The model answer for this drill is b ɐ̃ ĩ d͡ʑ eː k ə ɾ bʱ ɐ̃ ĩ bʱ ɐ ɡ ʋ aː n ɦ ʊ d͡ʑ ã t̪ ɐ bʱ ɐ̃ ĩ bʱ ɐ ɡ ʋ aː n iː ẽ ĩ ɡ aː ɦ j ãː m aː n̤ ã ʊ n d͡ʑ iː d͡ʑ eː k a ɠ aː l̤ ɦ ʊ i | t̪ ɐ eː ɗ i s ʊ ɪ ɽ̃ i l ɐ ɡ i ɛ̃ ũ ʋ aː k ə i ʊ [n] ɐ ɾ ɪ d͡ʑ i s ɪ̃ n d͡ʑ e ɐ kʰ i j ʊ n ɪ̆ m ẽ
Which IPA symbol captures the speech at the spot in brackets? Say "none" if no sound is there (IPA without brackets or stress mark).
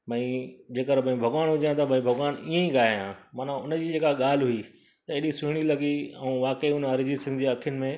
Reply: n